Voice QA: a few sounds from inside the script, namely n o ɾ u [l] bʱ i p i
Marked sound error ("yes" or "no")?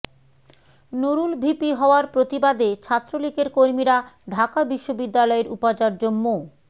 no